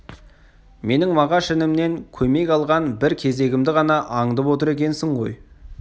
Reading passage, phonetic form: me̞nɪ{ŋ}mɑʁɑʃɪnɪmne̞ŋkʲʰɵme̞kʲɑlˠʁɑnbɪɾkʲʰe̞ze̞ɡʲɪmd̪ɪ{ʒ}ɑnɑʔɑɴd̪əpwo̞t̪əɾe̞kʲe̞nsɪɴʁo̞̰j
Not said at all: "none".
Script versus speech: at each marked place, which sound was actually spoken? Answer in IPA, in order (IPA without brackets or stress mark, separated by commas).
ŋ, ʁ